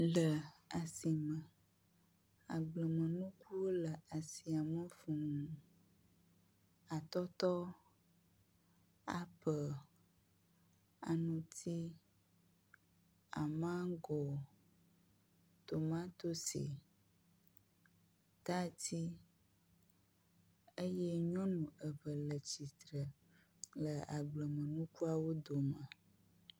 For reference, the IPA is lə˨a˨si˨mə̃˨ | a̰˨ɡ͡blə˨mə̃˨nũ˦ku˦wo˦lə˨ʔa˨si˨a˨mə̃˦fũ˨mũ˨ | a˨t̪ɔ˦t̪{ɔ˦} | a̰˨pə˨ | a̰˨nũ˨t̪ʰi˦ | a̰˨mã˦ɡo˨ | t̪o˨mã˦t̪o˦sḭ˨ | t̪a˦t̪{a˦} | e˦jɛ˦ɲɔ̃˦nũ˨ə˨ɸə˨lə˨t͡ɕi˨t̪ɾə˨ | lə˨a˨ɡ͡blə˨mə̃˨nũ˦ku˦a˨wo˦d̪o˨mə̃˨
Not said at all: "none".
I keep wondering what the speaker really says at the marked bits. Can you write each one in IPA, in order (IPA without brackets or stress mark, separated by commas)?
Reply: ɔ˦, i˦